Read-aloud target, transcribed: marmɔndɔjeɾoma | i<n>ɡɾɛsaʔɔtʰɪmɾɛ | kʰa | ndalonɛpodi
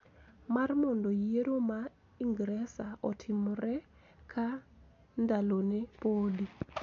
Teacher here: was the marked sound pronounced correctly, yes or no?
no